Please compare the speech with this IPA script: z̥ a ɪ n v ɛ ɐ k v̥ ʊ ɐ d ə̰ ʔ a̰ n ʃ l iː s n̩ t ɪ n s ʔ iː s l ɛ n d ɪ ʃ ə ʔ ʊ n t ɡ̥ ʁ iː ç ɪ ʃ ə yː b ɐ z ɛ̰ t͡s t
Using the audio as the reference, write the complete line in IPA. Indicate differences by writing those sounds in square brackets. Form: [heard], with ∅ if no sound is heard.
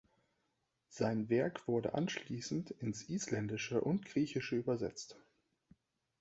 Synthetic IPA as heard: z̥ a ɪ n v ɛ ɐ k v̥ ʊ ɐ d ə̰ ʔ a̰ n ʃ l iː s n̩ t ɪ n s ʔ iː s l ɛ n d ɪ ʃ ə ʔ ʊ n t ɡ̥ ʁ iː ç ɪ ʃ ə yː b ɐ z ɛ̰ t͡s t